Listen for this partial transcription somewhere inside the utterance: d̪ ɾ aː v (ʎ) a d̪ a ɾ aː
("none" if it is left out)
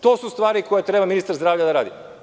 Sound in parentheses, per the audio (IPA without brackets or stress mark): ʎ